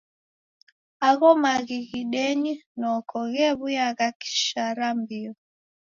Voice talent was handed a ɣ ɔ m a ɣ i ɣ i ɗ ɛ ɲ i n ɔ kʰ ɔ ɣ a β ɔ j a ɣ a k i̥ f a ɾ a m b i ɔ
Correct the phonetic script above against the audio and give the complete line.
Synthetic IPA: a ɣ ɔ m a ɣ i ɣ i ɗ ɛ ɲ i n ɔ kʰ ɔ ɣ ɛ β u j a ɣ a k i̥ ʃ a ɾ a m b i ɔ